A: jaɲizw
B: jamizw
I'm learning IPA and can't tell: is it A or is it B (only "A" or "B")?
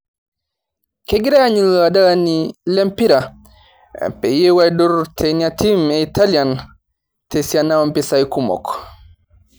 A